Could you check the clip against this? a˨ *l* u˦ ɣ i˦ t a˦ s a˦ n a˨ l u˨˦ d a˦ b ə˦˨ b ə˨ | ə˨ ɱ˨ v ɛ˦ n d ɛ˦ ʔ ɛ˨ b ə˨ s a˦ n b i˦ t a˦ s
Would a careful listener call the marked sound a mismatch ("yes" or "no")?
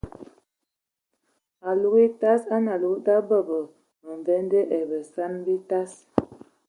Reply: no